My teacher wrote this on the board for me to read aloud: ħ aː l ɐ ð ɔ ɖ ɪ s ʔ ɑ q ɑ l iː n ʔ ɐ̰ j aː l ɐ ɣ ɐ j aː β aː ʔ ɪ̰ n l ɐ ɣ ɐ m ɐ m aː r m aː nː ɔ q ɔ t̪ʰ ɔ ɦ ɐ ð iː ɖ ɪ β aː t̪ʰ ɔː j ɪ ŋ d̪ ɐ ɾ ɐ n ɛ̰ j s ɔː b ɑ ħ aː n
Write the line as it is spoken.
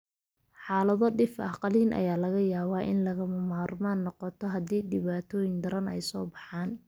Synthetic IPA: ħ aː l ɐ ð ɔ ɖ ɪ f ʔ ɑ q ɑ l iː n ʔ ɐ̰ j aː l ɐ ɣ ɐ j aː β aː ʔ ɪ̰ n l ɐ ɣ ɐ m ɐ m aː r m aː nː ɔ q ɔ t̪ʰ ɔ ɦ ɐ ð iː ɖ ɪ β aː t̪ʰ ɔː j ɪ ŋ d̪ ɐ ɾ ɐ n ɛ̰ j s ɔː b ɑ ħ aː n